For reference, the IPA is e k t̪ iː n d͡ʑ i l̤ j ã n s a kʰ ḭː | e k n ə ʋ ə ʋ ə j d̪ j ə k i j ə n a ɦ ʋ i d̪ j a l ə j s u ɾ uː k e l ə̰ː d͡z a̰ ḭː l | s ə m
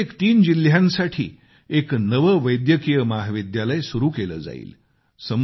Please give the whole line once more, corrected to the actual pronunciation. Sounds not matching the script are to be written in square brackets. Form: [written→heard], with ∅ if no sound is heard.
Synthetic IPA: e k t̪ iː n d͡ʑ i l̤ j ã n s a [kʰ→ʈʰ] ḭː | e k n ə ʋ ə ʋ ə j d̪ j ə k i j ə [n→m] a ɦ ʋ i d̪ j a l ə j s u ɾ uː k e l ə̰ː d͡z a̰ ḭː l | s ə m